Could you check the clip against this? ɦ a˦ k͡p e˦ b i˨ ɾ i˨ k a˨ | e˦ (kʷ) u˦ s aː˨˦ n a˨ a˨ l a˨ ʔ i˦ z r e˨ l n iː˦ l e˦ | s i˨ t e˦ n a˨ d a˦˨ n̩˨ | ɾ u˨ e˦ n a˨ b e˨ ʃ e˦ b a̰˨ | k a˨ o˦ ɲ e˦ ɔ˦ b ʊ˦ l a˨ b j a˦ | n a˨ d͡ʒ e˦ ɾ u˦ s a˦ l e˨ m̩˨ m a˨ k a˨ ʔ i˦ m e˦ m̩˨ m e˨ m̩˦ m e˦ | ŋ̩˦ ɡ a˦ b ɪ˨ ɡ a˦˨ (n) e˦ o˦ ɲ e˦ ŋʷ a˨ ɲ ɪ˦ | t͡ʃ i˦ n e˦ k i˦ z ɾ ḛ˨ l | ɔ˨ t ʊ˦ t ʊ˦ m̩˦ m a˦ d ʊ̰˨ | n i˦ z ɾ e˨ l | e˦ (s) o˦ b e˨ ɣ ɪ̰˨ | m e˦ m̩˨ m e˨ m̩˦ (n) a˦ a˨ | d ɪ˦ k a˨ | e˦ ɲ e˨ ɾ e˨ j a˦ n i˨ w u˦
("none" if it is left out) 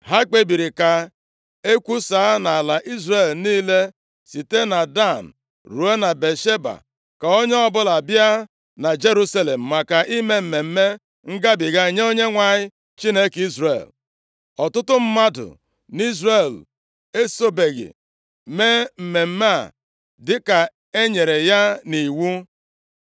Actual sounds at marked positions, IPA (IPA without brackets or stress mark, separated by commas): kʷ, ɲ, s, m